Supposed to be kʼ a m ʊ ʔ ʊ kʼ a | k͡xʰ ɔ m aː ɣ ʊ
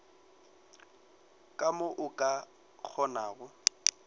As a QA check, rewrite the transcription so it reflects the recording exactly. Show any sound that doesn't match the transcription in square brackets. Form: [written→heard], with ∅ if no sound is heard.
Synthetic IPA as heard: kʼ a m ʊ ʔ ʊ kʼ a | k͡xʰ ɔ [m→n] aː ɣ ʊ